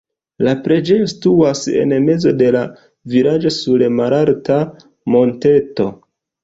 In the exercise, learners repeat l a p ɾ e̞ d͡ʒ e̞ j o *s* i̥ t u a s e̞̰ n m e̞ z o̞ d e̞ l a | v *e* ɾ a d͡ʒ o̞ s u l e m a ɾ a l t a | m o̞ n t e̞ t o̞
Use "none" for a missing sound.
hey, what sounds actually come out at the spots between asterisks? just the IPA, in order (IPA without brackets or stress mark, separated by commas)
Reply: s, i